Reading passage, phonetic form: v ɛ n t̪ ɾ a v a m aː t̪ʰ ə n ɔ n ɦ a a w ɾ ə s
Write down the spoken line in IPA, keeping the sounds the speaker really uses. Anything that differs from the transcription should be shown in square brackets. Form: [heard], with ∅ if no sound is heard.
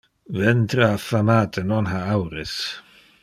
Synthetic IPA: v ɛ n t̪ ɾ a [f] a m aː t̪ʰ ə n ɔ n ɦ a a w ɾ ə s